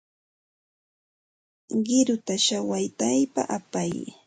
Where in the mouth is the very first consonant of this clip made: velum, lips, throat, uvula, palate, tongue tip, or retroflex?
uvula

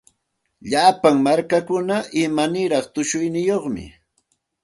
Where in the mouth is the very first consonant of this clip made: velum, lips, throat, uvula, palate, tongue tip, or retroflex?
palate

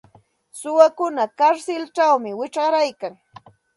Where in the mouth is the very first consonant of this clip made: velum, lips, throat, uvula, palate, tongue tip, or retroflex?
tongue tip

